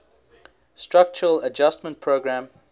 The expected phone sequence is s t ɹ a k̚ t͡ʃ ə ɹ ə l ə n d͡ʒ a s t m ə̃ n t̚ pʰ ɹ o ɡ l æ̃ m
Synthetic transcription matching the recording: s t ɹ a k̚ t͡ʃ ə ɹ ə l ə d͡ʒ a s t m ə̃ n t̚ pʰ ɹ o ɡ ɹ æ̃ m